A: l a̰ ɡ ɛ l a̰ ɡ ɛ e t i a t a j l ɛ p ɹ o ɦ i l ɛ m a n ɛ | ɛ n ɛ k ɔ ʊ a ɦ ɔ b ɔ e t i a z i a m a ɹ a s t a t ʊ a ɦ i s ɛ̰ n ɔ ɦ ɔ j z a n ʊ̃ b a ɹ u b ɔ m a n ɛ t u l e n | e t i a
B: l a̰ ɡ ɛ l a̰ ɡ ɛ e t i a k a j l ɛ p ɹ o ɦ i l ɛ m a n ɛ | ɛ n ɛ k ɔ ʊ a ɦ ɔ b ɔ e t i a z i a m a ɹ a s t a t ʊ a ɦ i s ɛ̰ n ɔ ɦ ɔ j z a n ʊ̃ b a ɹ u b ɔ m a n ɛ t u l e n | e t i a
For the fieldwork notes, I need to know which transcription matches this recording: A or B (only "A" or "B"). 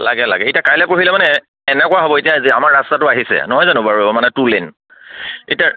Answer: B